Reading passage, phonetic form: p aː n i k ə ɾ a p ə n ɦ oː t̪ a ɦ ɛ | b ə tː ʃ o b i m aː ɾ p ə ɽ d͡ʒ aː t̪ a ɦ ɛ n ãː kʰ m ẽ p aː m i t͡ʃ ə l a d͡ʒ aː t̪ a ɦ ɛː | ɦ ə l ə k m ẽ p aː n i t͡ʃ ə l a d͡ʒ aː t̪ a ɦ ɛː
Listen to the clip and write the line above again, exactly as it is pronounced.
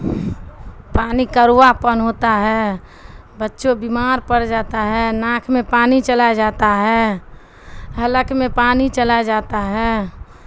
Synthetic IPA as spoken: p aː n i k ə ɾ a p ə n ɦ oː t̪ a ɦ ɛ | b ə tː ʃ o b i m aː ɾ p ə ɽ d͡ʒ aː t̪ a ɦ ɛ n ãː kʰ m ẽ p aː n i t͡ʃ ə l a d͡ʒ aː t̪ a ɦ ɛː | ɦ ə l ə k m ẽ p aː n i t͡ʃ ə l a d͡ʒ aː t̪ a ɦ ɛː